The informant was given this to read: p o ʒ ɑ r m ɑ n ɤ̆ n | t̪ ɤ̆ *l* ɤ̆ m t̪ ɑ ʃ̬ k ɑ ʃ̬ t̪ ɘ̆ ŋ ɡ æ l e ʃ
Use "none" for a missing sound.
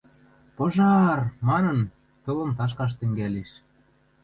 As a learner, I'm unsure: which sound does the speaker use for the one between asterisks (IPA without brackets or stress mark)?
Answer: l